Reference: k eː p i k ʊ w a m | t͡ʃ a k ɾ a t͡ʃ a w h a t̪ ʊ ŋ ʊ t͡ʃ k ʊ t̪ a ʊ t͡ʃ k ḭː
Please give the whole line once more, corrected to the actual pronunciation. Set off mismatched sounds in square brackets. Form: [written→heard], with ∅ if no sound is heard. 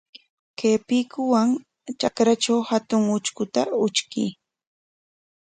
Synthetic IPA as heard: k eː p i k ʊ w a [m→ŋ] | t͡ʃ a k ɾ a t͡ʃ a w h a t̪ ʊ ŋ ʊ t͡ʃ k ʊ t̪ a ʊ t͡ʃ k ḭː